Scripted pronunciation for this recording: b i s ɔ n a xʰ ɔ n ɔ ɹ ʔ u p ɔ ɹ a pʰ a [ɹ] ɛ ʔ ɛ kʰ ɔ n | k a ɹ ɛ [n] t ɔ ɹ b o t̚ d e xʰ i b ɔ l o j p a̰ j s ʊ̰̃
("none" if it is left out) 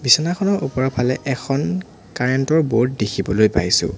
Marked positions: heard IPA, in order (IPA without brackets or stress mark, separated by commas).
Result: l, n